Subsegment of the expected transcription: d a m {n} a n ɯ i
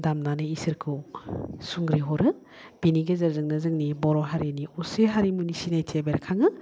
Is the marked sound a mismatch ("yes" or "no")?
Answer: no